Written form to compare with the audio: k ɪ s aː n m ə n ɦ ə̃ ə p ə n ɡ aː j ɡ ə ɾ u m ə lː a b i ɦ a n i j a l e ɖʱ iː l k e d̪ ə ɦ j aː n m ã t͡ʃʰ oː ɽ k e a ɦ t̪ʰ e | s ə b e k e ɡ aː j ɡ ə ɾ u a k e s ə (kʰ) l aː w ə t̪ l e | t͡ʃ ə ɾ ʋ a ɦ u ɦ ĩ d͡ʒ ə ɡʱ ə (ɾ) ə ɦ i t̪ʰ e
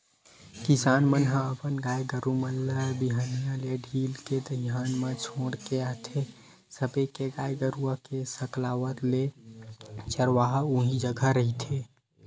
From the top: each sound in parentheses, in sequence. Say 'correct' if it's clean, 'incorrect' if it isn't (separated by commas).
incorrect, correct